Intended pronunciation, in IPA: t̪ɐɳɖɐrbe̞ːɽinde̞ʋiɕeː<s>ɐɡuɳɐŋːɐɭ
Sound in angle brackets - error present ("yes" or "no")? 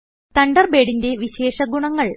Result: yes